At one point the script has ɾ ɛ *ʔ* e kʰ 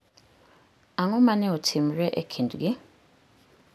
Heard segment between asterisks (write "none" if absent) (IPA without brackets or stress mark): ʔ